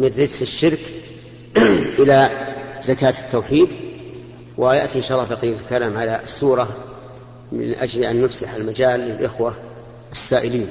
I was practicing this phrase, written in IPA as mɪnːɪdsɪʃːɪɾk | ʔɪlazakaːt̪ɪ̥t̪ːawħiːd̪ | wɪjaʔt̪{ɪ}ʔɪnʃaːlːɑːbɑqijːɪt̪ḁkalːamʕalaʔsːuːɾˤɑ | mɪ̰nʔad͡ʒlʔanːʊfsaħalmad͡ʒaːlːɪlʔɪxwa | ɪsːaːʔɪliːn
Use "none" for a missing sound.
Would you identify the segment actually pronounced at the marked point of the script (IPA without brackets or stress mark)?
i